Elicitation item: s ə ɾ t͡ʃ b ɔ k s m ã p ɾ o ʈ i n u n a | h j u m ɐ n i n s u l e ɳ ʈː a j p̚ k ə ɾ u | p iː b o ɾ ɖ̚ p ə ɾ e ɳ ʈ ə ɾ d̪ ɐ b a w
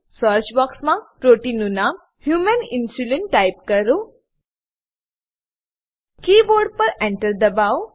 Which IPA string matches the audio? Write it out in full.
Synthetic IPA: s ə ɾ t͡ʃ b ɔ k s m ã p ɾ o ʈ i n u n a | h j u m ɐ n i n s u l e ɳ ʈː a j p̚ k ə ɾ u | k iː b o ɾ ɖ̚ p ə ɾ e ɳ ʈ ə ɾ d̪ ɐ b a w